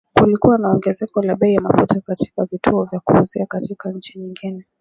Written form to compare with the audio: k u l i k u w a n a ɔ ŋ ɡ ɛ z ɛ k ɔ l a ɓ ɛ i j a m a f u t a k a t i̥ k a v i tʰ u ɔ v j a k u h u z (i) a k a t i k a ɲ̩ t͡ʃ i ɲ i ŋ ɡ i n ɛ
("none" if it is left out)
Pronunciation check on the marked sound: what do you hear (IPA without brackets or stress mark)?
i